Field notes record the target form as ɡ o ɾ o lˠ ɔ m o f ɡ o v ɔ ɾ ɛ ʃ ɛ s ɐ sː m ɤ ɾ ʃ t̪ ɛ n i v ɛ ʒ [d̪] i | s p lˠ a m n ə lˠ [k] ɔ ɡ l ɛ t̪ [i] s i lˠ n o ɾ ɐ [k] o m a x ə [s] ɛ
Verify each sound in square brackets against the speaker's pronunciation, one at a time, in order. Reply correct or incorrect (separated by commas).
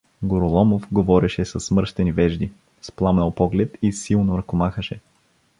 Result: correct, incorrect, correct, correct, incorrect